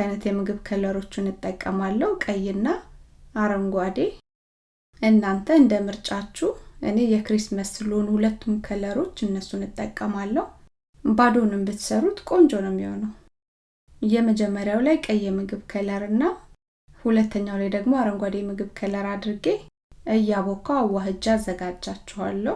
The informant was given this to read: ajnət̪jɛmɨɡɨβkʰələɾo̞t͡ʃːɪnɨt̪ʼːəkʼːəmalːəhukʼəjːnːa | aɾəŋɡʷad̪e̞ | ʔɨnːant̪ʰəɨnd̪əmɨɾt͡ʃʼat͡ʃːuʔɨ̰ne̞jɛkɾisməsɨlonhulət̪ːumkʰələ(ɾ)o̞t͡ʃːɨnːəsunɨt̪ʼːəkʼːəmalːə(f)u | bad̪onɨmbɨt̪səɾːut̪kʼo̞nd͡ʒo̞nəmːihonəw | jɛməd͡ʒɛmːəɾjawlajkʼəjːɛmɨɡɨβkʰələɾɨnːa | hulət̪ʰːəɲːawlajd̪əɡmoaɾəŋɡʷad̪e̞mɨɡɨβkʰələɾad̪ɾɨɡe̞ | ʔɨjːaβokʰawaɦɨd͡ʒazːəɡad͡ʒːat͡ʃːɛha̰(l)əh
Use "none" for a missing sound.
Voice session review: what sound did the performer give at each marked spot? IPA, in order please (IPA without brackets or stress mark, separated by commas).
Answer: ɾ, h, lː